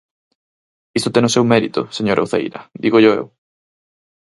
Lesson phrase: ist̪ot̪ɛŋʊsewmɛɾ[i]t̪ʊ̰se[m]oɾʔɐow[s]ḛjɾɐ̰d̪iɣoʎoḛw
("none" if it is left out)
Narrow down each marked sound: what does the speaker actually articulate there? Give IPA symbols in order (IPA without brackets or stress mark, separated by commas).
i, ɲ, θ